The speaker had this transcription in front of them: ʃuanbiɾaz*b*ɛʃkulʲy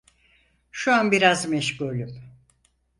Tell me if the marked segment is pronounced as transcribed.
no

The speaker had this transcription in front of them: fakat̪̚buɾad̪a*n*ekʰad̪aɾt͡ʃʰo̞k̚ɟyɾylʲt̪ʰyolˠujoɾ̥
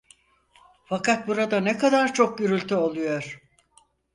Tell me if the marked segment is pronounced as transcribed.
yes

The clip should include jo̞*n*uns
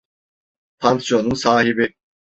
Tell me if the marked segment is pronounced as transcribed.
yes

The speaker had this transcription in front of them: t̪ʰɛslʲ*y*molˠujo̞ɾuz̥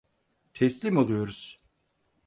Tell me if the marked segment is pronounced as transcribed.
no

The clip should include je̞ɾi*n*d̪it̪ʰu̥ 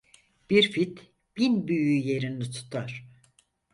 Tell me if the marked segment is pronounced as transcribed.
yes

